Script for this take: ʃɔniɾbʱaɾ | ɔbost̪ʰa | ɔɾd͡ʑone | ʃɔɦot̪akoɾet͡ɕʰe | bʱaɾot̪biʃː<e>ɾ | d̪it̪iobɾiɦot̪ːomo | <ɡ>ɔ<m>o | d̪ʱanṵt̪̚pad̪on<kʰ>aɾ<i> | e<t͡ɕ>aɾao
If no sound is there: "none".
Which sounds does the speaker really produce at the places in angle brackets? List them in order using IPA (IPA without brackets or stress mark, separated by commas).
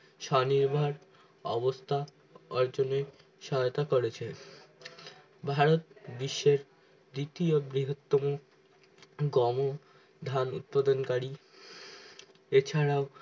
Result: e, ɡ, m, k, i, t͡ɕʰ